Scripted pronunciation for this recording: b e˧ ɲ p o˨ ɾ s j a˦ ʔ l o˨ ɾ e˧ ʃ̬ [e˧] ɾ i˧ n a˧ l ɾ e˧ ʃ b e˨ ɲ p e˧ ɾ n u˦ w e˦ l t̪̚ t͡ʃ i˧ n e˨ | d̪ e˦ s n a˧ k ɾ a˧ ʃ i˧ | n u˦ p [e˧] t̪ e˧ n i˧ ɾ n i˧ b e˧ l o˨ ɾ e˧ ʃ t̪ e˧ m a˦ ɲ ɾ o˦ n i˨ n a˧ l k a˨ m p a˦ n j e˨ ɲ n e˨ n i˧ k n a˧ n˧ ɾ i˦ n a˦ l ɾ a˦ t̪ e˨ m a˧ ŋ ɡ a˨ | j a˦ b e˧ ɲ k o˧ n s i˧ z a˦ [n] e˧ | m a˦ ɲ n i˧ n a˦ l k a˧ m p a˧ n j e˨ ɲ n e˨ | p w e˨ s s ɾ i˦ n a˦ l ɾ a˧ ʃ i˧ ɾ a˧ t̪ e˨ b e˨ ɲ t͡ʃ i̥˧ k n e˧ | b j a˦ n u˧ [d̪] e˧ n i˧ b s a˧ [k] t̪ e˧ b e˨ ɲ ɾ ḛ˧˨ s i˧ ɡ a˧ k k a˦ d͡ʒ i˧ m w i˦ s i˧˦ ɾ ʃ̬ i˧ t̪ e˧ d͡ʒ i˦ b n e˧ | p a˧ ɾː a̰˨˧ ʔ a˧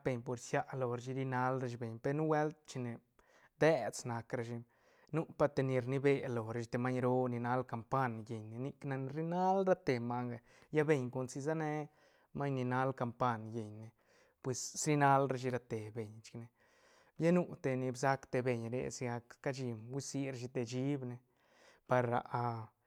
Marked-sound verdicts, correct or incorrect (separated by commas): incorrect, incorrect, correct, incorrect, correct